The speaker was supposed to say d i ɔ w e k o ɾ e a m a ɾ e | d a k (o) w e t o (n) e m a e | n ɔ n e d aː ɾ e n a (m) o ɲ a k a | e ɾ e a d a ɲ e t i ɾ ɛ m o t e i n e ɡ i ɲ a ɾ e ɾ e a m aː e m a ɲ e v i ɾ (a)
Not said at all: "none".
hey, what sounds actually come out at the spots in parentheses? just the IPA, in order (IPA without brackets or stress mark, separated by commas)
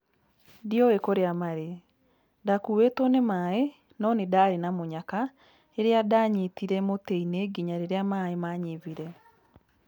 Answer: u, n, m, ɛ